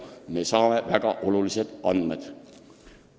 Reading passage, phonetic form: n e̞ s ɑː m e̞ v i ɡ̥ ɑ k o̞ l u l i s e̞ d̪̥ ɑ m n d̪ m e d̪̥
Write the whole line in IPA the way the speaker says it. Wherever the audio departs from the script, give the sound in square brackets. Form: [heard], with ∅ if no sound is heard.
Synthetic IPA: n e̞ s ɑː m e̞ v [æ] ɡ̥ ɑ [ʔ] o̞ l u l i s e̞ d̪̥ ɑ [∅] n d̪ m e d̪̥